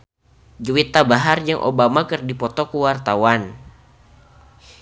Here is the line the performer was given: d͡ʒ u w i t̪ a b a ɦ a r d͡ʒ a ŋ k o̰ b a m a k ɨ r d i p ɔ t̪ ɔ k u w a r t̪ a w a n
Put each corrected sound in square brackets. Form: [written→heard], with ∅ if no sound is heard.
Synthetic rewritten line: d͡ʒ u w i t̪ a b a ɦ a r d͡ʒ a ŋ [k→ʔ] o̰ b a m a k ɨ r d i p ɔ t̪ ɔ k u w a r t̪ a w a n